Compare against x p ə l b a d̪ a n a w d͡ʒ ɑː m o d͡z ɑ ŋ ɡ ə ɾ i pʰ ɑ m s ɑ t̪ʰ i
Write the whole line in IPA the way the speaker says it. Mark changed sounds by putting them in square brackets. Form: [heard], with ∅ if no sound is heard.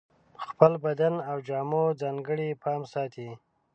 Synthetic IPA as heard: x p ə l b a d̪ a n a w d͡ʒ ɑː m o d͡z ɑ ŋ ɡ ə [ɽ] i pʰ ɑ m s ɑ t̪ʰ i